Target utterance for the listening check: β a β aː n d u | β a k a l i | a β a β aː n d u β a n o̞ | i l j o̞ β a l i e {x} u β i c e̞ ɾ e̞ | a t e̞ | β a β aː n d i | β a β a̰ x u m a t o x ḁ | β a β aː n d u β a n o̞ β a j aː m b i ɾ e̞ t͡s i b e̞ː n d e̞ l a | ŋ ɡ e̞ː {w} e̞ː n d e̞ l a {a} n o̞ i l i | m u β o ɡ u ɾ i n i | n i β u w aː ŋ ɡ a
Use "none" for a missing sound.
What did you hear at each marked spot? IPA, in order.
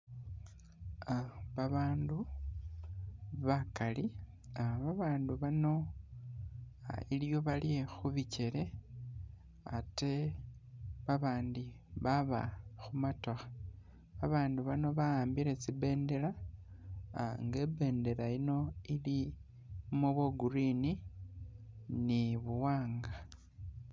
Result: x, b, i

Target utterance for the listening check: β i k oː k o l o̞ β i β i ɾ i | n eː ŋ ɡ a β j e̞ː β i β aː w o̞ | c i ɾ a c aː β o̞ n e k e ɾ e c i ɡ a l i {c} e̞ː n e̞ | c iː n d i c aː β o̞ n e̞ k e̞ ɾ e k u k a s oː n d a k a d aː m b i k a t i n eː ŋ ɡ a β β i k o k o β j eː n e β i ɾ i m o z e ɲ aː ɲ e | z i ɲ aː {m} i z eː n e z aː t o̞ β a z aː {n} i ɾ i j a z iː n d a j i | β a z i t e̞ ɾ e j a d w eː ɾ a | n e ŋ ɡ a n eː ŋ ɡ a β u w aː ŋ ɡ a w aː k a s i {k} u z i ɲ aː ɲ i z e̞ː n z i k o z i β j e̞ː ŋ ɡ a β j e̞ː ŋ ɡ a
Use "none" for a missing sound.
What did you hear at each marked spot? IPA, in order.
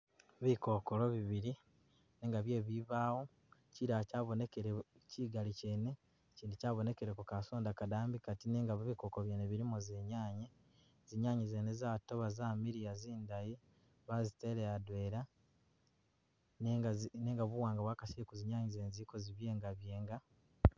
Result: c, ɲ, m, k

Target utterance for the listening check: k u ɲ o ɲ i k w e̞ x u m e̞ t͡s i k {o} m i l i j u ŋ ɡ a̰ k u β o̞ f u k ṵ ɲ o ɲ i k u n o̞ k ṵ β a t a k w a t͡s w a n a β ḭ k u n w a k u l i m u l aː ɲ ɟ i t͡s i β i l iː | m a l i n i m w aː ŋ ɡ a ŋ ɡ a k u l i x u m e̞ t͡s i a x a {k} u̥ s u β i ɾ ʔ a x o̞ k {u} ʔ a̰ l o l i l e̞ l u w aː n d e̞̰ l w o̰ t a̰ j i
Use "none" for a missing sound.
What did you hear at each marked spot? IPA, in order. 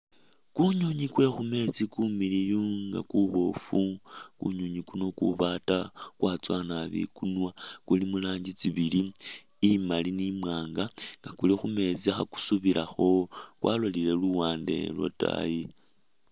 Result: u, k, w

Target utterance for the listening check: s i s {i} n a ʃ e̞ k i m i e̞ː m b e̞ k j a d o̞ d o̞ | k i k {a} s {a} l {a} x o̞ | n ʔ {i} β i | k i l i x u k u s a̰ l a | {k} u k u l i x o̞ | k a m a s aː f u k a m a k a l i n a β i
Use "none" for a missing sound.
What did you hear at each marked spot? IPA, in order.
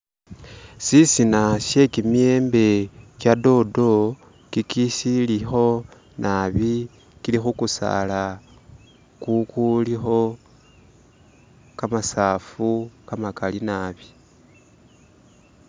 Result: i, i, i, i, a, k

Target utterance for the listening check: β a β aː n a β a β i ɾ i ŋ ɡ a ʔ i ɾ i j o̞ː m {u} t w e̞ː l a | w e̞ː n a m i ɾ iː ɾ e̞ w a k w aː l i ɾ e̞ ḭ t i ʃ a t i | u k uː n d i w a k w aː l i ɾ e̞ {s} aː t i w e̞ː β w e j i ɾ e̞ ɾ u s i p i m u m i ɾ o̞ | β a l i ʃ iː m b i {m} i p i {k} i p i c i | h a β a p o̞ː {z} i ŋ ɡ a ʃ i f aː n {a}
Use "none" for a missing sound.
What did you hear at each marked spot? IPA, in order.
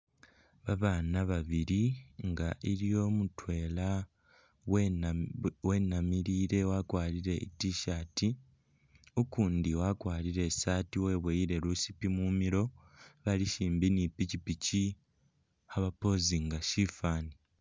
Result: u, s, n, c, z, i

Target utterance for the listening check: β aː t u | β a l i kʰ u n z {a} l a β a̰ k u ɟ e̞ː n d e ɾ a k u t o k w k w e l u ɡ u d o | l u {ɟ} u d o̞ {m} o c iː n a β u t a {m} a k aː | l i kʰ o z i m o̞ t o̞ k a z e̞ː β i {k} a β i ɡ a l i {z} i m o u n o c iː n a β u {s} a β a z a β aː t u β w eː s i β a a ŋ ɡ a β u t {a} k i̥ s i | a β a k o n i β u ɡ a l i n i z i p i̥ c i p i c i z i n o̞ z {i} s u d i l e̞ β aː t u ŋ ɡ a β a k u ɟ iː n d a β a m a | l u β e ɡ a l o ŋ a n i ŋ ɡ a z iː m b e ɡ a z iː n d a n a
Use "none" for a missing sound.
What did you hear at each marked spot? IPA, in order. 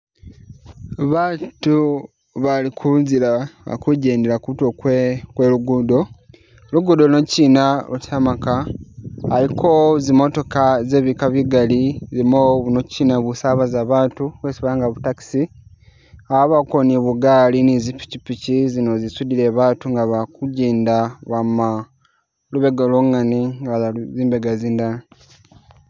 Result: i, ɡ, n, m, k, z, s, a, i

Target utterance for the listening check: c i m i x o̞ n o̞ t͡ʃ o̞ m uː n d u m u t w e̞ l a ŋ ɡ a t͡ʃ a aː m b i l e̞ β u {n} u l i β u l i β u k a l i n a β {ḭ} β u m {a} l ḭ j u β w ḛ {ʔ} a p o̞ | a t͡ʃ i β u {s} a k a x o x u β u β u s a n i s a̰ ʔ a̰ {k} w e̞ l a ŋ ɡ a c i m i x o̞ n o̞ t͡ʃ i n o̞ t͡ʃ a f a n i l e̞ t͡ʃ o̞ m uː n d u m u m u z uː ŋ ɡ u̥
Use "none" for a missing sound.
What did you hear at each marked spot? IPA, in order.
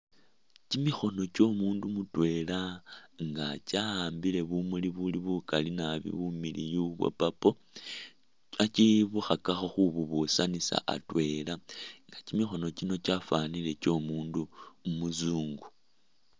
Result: m, ḭ, i, p, x, t

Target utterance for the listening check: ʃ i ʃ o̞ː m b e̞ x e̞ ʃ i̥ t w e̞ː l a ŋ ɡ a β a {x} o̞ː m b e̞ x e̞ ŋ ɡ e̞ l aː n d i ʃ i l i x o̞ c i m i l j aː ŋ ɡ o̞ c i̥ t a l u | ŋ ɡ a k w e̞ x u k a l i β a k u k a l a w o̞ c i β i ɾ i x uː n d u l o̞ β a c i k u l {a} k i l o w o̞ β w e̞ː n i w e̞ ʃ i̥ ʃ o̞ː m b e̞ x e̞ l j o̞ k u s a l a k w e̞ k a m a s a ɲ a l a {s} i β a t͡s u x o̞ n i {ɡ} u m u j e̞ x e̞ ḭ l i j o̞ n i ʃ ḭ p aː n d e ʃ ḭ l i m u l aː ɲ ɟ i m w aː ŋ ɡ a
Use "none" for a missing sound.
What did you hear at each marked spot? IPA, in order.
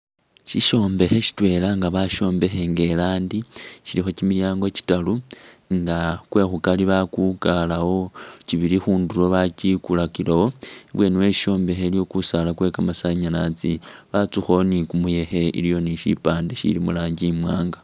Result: ʃ, a, t͡s, k

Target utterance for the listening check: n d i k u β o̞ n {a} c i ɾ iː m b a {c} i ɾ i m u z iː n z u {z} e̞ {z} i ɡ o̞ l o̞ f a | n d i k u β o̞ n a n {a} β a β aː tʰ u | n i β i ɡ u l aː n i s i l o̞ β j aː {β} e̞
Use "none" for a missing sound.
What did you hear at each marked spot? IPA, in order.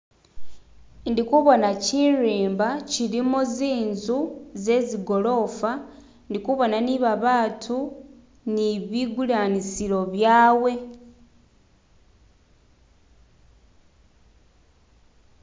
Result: a, c, z, z, i, w

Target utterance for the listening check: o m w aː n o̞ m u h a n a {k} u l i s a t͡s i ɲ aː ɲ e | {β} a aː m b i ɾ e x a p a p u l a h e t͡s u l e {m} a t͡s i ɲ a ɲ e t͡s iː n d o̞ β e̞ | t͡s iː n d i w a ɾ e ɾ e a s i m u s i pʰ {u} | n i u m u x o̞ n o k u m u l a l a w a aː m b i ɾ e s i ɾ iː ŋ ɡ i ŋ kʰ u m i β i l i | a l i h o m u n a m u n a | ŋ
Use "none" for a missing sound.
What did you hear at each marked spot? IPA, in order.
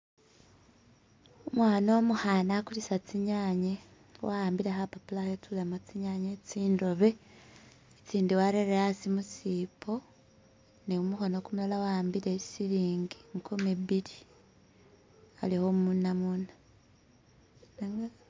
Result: k, w, m, o

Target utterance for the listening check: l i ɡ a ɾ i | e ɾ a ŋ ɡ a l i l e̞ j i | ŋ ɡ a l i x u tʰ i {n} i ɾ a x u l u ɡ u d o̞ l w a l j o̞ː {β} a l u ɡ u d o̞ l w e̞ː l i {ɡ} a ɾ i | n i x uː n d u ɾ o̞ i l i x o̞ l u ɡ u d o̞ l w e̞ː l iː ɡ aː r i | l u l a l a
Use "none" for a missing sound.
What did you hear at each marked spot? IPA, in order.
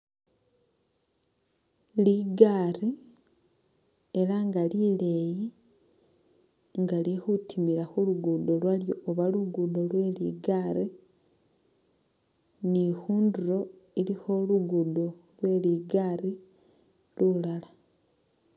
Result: m, β, ɡ

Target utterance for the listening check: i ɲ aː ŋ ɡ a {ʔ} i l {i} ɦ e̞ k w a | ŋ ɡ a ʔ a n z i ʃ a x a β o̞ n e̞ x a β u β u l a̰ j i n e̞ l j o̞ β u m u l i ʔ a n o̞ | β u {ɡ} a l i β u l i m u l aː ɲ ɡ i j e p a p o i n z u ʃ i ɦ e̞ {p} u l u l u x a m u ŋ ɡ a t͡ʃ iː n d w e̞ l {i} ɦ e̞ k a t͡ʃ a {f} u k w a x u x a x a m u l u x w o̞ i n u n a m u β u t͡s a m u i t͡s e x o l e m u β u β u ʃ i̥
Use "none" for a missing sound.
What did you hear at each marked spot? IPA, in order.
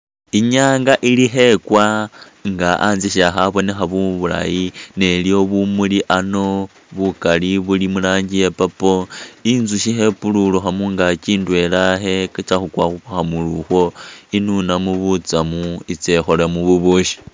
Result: ʔ, i, k, p, a, x

